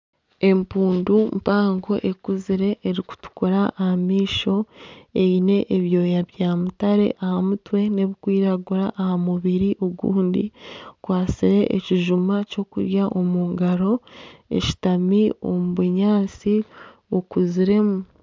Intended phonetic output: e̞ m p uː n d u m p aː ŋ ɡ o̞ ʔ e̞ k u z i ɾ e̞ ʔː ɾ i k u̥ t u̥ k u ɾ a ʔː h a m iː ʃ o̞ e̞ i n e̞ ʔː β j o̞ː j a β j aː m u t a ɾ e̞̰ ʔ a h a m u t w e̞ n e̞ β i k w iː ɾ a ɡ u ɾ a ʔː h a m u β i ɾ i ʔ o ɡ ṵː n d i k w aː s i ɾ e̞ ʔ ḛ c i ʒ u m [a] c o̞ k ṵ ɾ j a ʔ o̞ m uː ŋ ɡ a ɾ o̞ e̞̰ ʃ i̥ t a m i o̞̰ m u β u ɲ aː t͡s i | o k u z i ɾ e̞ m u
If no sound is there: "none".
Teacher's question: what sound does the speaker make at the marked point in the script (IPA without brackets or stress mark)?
a